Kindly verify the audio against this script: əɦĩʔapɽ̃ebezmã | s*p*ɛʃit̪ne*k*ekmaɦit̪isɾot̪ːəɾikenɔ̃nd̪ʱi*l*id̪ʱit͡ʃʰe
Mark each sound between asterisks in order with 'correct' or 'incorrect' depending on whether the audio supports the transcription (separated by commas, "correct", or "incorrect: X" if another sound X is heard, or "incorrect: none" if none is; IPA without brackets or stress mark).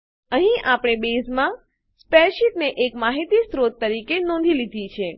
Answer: correct, incorrect: ʔ, correct